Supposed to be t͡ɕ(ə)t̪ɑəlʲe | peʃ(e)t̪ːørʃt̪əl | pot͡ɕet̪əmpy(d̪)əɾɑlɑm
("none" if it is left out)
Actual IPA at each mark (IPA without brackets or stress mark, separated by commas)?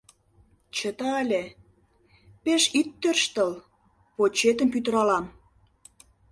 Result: ə, i, t̪